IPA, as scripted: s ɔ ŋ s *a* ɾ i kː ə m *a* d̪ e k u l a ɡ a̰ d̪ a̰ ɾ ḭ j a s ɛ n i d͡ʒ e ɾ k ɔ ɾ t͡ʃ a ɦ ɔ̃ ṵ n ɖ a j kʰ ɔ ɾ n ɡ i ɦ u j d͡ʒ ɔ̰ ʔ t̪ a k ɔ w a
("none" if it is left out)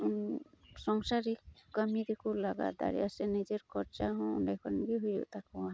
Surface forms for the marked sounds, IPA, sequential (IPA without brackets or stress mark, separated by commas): a, i